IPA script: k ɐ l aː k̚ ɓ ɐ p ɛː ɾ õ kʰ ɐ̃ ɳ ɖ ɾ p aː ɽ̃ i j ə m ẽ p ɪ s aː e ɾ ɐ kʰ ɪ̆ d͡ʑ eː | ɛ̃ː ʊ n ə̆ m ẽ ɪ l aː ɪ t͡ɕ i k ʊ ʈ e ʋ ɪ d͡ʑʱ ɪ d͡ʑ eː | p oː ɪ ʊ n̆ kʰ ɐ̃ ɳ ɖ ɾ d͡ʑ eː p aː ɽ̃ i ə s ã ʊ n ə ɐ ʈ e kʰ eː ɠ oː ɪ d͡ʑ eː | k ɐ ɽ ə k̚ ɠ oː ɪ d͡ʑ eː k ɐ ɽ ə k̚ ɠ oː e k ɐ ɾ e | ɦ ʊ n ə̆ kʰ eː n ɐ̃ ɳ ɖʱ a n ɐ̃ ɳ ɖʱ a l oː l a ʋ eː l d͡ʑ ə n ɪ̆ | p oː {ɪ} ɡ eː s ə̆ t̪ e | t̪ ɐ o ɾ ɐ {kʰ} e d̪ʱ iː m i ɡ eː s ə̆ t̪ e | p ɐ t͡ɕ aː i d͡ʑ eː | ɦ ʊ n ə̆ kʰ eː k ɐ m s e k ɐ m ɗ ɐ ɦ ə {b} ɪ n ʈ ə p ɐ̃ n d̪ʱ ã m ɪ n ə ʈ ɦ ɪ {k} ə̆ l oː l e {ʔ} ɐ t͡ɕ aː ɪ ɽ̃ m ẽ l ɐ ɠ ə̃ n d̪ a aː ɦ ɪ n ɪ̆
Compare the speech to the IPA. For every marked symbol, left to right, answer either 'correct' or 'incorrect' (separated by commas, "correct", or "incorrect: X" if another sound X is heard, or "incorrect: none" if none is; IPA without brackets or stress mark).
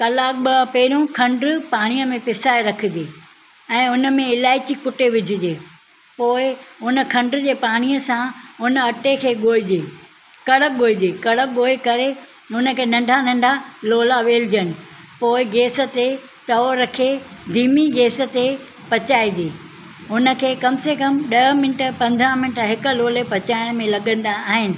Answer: correct, correct, incorrect: m, correct, incorrect: p